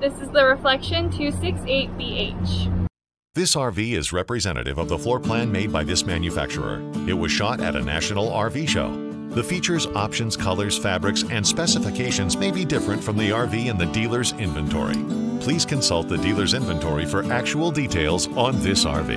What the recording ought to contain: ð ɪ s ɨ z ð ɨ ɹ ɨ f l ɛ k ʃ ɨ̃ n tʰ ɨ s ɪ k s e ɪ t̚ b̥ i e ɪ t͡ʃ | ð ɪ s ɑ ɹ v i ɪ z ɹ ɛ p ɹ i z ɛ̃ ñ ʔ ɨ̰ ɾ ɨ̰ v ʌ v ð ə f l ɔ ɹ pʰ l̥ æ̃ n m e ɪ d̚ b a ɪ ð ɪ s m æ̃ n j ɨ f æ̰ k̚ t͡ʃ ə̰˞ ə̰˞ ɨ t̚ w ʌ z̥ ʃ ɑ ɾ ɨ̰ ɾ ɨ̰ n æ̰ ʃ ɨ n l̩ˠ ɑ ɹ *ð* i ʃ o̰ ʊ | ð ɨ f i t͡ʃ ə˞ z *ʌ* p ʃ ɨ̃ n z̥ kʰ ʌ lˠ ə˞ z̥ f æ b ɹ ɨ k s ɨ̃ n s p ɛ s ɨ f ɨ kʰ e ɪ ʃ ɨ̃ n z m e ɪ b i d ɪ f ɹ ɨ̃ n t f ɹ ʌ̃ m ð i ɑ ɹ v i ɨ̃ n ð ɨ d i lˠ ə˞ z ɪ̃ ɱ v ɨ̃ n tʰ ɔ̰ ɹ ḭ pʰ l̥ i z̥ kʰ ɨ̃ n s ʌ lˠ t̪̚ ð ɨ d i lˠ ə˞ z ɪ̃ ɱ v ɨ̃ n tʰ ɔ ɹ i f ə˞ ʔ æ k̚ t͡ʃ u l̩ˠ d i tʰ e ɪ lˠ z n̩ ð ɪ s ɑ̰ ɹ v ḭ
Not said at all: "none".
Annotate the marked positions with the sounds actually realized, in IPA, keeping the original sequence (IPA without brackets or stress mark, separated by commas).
v, ɑ